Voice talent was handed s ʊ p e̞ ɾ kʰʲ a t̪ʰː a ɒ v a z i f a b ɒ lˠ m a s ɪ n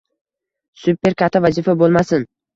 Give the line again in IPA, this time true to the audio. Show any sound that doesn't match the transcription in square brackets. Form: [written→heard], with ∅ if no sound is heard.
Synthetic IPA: s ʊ p e̞ ɾ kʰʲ a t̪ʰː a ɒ v a z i f a b [ɒ→o] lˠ m a s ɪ n